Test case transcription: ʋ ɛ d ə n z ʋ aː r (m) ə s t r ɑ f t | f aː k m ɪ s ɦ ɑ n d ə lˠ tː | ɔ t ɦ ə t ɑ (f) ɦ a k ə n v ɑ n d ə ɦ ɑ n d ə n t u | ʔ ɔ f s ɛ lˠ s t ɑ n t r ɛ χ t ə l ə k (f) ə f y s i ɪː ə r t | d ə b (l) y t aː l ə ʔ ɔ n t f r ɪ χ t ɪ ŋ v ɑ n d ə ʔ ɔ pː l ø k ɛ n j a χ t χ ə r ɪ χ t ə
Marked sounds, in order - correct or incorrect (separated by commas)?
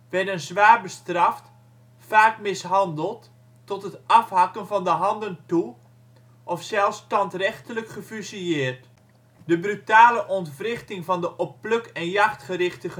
incorrect, correct, incorrect, incorrect